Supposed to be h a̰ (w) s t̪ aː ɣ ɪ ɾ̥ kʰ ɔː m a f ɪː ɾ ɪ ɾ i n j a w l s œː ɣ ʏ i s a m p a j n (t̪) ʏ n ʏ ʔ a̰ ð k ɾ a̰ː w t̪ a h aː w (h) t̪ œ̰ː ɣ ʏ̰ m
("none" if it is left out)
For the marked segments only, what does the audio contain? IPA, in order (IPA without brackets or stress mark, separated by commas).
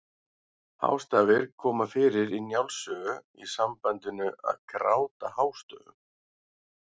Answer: w, t̪, s